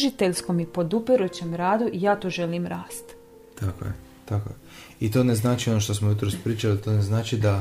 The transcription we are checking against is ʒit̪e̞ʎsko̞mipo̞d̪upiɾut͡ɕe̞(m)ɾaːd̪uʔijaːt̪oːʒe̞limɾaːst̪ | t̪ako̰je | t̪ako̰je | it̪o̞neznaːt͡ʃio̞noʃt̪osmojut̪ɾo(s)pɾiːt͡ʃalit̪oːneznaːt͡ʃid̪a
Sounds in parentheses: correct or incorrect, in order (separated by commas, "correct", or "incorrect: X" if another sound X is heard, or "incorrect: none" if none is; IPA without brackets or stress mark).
correct, correct